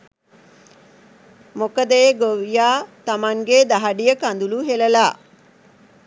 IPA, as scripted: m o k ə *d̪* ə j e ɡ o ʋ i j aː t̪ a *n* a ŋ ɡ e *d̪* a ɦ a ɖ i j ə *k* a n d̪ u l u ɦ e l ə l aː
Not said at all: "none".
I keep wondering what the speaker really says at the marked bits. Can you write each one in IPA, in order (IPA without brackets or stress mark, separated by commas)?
d̪, m, d̪, k